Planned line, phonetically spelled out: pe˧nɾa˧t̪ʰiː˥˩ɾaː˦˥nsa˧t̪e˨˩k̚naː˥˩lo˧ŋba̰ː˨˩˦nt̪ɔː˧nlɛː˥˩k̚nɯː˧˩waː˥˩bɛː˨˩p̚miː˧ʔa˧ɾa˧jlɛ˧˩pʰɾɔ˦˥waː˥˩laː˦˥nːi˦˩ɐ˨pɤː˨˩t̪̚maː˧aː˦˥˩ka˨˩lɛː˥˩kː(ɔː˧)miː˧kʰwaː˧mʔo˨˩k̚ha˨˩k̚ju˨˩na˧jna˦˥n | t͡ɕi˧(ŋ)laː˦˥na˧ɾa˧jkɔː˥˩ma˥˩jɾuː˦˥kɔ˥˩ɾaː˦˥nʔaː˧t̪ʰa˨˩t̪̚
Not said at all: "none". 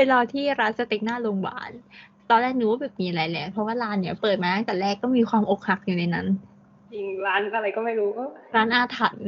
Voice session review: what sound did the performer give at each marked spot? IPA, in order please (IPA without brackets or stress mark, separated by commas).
ɔː˥˩, ŋ